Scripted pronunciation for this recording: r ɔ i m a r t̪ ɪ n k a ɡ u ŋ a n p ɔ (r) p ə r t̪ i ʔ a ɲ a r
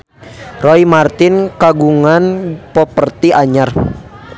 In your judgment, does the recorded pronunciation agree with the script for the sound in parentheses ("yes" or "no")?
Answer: no